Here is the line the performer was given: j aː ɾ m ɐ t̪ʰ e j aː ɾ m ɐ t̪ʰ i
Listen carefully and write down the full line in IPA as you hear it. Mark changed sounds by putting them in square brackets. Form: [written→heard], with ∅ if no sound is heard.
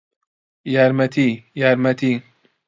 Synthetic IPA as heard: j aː ɾ m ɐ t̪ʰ [e→i] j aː ɾ m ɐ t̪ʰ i